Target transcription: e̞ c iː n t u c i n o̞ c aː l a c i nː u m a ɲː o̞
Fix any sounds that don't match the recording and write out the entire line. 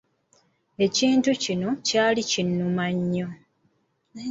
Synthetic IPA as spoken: e̞ c iː n t u c i n o̞ c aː l i c i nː u m a ɲː o̞